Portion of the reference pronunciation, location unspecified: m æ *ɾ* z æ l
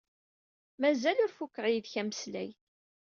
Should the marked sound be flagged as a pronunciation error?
yes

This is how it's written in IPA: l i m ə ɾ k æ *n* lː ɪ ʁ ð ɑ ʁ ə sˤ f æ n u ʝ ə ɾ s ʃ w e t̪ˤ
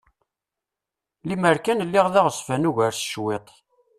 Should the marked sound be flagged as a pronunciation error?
no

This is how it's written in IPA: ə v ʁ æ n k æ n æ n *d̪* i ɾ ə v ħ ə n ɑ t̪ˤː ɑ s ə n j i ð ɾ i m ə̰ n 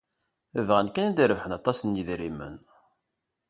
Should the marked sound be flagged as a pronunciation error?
no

